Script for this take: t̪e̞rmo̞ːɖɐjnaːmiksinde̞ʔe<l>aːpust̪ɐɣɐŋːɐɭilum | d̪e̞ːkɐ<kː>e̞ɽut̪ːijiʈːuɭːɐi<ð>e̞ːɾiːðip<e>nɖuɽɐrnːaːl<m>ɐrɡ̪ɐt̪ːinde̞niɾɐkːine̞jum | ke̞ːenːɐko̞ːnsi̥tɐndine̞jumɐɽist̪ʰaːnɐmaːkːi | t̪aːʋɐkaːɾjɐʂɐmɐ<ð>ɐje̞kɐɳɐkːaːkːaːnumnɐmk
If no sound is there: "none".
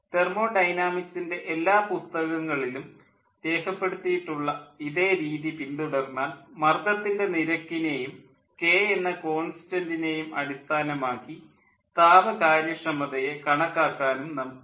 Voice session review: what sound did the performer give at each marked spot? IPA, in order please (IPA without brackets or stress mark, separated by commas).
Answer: lː, pː, ð, i, m, ð